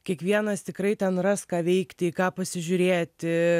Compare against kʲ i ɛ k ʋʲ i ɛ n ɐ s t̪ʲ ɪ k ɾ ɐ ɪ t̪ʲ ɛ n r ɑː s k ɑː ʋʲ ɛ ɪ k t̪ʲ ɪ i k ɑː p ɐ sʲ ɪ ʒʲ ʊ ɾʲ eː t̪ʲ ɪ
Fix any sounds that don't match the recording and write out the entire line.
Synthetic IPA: kʲ i ɛ k ʋʲ i ɛ n ɐ s t̪ʲ ɪ k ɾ ɐ ɪ t̪ʲ ɛ n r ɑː s k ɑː ʋʲ ɛ ɪ k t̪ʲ ɪ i k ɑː p ɐ sʲ ɪ ʒʲ ʊ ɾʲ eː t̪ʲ ɪ